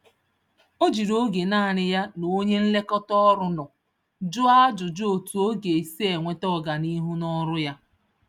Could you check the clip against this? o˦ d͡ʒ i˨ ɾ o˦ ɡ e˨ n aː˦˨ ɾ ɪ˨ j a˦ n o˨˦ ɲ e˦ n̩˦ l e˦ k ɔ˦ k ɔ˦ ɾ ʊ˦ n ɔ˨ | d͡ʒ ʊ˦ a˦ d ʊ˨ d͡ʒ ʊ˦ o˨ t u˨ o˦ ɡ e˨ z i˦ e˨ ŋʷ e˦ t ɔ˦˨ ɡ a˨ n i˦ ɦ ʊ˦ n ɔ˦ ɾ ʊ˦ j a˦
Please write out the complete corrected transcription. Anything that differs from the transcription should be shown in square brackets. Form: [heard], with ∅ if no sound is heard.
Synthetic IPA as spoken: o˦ d͡ʒ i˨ ɾ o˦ ɡ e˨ n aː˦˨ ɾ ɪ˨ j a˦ n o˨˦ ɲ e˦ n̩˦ l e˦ k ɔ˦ [t] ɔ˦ ɾ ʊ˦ n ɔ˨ | d͡ʒ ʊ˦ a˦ [d͡ʒ] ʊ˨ d͡ʒ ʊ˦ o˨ t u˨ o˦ ɡ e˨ [s] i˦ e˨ ŋʷ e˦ t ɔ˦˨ ɡ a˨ n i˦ ɦ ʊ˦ n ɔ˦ ɾ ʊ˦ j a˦